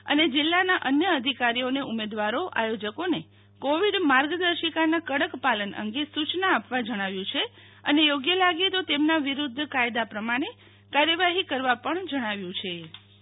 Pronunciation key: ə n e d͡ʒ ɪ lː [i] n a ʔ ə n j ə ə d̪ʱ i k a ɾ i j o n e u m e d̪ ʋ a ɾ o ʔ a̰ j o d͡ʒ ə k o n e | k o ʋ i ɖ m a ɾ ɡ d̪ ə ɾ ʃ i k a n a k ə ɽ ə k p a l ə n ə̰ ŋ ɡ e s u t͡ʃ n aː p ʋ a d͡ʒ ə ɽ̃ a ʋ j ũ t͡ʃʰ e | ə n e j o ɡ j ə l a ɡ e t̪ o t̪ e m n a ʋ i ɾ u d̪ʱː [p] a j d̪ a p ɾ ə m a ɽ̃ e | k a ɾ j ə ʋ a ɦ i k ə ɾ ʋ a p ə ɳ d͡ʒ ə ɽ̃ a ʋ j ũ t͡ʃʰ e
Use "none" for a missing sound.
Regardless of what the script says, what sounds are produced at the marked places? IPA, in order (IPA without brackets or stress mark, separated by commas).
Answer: a, k